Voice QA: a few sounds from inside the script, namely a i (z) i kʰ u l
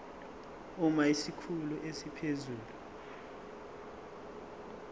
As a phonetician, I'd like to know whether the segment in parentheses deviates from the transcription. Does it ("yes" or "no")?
yes